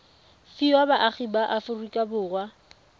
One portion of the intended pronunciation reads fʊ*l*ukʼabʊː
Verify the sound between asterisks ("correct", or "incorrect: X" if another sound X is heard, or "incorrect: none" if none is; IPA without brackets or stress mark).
incorrect: r